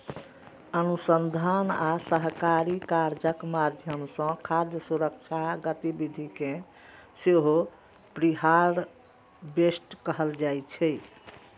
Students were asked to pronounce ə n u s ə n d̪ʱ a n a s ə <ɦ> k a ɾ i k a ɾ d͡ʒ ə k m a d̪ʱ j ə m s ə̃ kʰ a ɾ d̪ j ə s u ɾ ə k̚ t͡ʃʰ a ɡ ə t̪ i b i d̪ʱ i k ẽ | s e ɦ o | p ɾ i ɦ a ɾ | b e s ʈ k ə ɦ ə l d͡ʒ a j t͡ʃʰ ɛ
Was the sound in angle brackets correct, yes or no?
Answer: yes